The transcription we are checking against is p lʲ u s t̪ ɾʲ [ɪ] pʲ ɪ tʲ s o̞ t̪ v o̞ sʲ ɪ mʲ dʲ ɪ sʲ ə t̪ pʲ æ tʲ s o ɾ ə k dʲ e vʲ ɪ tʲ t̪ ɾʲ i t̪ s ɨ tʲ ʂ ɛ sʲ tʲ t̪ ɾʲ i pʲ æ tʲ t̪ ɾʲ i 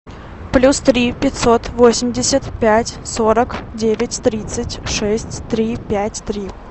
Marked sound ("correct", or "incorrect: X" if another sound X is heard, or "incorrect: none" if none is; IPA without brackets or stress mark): incorrect: i